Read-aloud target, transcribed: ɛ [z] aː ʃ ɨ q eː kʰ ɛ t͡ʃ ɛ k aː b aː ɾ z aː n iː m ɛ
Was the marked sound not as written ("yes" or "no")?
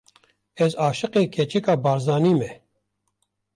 no